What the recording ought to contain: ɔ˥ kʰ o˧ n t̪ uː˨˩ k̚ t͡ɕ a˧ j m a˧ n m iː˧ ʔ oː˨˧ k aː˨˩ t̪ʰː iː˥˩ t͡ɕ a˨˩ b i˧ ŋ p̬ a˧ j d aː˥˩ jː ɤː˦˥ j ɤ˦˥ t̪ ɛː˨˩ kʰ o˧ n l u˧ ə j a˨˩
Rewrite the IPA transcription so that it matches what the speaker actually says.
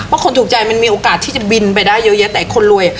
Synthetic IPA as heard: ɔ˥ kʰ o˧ n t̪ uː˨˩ k̚ t͡ɕ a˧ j m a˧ n m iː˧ ʔ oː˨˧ k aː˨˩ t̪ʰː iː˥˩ t͡ɕ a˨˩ b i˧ n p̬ a˧ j d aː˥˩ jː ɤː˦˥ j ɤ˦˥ t̪ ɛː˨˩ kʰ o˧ n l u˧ ə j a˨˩